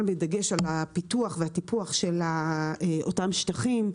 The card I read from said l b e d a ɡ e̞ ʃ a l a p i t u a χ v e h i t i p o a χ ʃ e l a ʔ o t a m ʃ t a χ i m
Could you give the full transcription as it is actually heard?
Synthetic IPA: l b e d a ɡ e̞ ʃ a l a p i t u a χ v e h a t i p u a χ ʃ e l a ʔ o t a m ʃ t a χ i m